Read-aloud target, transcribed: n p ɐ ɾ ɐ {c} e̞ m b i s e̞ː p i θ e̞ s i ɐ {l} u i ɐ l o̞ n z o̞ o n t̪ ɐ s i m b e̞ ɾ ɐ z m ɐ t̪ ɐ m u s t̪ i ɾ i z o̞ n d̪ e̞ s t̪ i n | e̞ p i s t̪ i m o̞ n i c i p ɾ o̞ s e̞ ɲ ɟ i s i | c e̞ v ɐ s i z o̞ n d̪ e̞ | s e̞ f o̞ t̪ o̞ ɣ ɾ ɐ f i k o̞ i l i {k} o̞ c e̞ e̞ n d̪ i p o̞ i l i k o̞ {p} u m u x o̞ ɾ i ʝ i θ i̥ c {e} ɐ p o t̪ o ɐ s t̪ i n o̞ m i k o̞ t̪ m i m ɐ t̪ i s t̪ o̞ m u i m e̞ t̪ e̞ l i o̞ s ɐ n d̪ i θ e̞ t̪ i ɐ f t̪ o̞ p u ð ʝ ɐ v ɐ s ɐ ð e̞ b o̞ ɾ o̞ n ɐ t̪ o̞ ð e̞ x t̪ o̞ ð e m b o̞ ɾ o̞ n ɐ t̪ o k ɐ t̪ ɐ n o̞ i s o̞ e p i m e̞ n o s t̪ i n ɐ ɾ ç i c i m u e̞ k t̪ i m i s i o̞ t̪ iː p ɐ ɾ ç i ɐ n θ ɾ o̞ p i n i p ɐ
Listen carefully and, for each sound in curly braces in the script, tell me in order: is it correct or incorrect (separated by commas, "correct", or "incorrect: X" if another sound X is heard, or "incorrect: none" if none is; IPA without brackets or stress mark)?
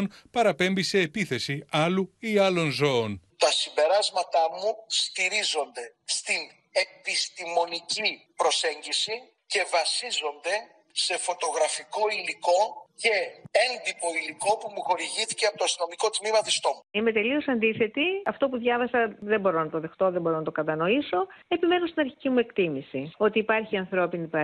incorrect: p, correct, correct, correct, correct